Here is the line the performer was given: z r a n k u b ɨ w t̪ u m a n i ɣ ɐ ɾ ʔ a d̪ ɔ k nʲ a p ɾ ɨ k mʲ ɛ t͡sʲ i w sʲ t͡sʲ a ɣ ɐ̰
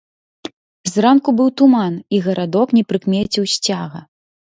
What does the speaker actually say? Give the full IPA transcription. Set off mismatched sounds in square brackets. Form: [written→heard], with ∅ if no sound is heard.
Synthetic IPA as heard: z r a n k u b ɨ w t̪ u m a n i ɣ ɐ ɾ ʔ a d̪ ɔ k nʲ [a→ɛ] p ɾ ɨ k mʲ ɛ t͡sʲ i w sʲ t͡sʲ a ɣ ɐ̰